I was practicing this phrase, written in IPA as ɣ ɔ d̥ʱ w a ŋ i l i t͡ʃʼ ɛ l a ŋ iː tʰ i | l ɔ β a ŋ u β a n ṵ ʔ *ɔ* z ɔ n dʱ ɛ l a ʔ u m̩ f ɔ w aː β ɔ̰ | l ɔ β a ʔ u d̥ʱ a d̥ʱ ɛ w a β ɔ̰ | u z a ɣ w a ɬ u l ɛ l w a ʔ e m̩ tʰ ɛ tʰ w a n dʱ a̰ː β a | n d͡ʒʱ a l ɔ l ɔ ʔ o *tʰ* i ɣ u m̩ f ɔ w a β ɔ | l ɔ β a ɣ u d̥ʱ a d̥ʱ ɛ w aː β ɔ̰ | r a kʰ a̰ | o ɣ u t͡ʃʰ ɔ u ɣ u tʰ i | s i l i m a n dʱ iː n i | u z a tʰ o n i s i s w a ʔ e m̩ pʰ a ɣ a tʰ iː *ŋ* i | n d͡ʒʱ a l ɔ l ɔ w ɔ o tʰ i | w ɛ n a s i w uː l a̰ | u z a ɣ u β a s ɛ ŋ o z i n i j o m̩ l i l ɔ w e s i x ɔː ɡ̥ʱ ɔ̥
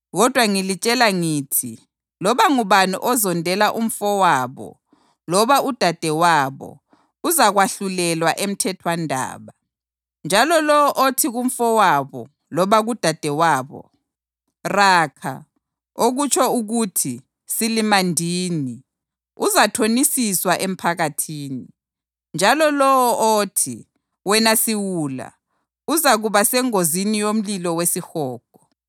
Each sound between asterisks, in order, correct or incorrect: correct, correct, incorrect: n

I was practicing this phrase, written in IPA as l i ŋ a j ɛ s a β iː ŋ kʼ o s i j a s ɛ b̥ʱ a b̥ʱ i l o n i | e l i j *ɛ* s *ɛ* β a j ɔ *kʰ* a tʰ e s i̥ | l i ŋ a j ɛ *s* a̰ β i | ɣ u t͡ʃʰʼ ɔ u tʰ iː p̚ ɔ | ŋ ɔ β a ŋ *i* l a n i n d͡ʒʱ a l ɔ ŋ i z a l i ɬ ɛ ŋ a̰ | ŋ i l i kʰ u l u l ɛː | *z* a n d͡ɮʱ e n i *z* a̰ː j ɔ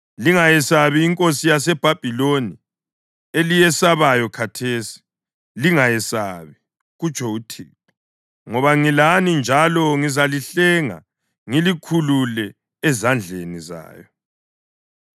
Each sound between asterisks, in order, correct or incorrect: correct, incorrect: a, correct, correct, correct, correct, correct

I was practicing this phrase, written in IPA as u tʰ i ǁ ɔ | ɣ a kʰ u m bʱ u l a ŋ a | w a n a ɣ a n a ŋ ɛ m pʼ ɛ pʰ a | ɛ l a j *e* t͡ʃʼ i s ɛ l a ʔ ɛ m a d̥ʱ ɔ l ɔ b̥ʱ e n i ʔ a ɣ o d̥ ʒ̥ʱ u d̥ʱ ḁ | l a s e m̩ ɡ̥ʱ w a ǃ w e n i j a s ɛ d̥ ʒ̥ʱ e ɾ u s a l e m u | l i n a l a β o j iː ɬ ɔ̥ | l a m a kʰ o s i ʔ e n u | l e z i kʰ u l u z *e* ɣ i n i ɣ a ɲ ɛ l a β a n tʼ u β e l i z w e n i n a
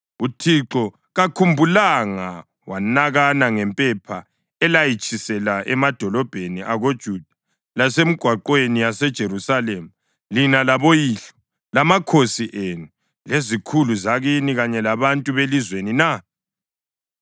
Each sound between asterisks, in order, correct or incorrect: incorrect: i, incorrect: a

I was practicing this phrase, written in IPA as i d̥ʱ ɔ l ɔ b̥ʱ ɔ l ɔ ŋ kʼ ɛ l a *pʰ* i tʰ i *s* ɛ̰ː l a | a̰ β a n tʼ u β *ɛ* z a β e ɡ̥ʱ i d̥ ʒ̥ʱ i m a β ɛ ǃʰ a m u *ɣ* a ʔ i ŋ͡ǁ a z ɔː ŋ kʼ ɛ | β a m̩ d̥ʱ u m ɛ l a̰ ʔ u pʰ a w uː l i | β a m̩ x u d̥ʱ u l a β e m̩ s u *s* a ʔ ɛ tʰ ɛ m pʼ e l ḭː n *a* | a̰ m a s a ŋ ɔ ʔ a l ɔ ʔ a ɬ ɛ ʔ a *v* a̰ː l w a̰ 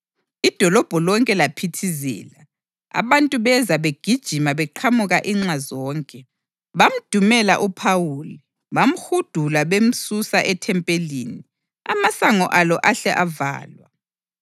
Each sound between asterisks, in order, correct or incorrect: correct, incorrect: z, correct, correct, correct, incorrect: i, correct

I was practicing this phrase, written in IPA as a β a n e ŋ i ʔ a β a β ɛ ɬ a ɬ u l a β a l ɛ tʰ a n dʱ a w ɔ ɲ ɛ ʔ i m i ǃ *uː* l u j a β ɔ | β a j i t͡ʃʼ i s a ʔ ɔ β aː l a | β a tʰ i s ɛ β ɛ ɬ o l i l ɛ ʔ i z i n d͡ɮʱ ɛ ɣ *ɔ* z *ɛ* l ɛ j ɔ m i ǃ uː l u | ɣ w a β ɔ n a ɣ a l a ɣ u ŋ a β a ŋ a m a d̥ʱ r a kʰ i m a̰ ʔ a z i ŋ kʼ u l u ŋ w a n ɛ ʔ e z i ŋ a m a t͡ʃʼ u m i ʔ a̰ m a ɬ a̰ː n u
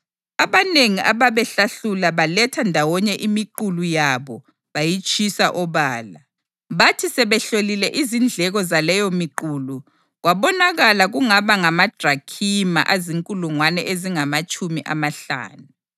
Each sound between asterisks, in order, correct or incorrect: incorrect: u, correct, incorrect: a

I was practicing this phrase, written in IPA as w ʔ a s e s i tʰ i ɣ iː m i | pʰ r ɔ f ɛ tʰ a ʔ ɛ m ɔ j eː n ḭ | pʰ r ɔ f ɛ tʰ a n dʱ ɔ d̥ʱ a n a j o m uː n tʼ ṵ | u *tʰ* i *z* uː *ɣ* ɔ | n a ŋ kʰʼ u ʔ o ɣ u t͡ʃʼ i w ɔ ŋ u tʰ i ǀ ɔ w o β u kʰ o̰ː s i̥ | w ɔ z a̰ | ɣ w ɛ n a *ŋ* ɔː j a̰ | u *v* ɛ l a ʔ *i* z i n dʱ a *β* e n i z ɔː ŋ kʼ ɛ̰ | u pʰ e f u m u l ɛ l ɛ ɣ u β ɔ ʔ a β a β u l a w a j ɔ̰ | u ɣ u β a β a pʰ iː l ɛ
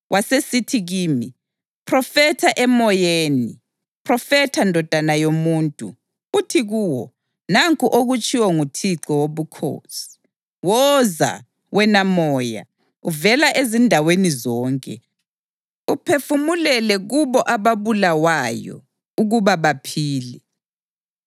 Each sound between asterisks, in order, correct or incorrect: correct, incorrect: ɣ, incorrect: w, incorrect: m, correct, incorrect: e, incorrect: w

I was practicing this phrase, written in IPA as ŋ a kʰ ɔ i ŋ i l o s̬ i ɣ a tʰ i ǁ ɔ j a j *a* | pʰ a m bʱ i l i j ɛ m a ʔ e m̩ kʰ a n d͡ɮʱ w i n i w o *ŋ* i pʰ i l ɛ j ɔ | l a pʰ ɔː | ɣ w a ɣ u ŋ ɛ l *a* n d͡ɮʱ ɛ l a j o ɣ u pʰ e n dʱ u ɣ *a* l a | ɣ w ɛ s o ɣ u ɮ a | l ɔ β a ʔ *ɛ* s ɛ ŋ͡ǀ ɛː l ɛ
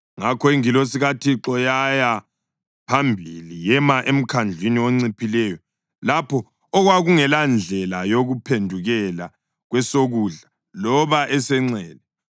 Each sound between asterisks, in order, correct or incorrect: correct, incorrect: ŋ͡ǀ, correct, incorrect: ɛ, correct

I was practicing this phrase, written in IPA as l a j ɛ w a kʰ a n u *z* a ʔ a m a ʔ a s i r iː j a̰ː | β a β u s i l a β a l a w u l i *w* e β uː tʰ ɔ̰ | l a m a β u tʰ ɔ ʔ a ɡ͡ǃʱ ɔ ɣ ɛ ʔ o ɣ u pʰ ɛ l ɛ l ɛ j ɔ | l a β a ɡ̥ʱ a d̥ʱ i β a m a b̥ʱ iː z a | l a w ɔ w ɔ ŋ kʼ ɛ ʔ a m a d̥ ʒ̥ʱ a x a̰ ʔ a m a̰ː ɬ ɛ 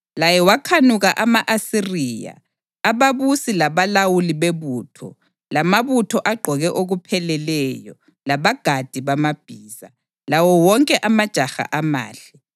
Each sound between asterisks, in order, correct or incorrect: incorrect: ɣ, incorrect: β

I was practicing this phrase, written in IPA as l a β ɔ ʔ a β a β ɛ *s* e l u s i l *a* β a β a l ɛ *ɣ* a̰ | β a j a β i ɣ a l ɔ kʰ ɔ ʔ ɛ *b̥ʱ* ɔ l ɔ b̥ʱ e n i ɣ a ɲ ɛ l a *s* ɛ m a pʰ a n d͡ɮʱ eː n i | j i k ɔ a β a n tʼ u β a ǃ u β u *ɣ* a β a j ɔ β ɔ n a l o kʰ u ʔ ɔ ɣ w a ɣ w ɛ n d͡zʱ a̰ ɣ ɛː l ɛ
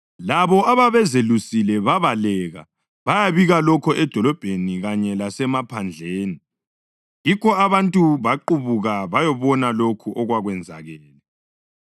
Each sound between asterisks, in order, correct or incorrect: incorrect: z, incorrect: ɛ, correct, incorrect: d̥ʱ, correct, correct

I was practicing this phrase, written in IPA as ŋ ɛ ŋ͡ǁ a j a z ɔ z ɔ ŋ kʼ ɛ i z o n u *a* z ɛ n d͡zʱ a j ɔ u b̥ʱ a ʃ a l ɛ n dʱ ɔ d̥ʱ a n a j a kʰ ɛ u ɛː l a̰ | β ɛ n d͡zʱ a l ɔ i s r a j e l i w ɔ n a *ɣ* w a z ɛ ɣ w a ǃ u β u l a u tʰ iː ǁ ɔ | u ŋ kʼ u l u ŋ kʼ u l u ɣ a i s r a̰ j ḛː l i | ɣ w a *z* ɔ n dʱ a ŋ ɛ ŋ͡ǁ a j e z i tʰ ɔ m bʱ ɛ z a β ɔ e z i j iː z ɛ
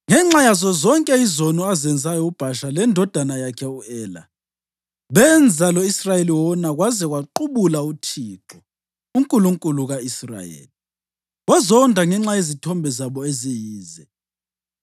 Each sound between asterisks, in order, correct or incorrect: correct, correct, correct

